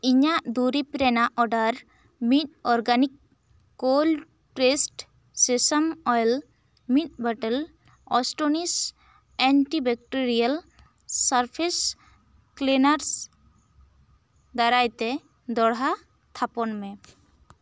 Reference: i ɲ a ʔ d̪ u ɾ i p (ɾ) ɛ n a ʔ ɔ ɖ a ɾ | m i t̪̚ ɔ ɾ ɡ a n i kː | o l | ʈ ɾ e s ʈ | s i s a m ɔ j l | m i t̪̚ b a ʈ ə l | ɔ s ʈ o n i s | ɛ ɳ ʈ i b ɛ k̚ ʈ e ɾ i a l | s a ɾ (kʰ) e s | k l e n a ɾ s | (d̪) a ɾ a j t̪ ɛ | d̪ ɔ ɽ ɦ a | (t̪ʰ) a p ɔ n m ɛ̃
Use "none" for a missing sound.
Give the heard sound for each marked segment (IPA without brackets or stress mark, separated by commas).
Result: ɾ, pʰ, d̪, t̪ʰ